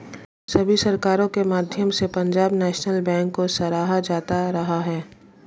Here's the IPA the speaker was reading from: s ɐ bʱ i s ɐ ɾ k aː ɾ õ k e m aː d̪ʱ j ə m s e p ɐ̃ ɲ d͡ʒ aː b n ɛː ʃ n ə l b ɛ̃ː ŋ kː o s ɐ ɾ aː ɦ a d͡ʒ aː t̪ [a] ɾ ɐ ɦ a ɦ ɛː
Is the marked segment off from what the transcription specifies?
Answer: no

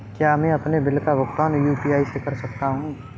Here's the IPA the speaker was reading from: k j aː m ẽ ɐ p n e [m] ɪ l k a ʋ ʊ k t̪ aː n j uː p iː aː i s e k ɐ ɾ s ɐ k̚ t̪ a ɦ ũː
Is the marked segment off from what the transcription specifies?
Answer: yes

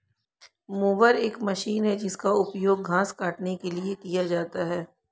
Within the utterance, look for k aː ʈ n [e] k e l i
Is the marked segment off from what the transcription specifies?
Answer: no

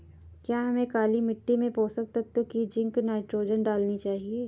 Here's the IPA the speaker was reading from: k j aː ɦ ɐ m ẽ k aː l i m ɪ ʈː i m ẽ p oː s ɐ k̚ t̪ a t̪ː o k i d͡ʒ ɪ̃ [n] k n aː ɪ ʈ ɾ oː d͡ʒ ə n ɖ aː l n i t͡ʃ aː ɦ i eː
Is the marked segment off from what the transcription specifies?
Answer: yes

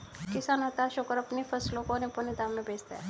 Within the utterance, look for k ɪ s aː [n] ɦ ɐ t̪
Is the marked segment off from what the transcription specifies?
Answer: no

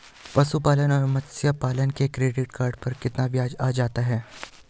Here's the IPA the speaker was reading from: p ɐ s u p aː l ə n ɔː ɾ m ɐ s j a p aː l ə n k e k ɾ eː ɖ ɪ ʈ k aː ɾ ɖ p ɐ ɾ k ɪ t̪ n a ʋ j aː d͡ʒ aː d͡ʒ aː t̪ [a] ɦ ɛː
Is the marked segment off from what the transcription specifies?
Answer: no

